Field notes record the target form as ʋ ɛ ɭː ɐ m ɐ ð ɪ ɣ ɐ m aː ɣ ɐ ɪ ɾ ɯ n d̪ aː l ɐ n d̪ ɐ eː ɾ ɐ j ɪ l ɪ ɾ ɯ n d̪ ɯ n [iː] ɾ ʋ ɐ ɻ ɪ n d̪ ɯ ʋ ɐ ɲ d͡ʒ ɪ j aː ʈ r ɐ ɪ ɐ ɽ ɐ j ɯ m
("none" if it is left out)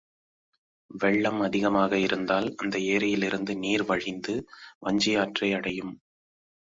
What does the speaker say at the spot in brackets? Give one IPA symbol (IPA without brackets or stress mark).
iː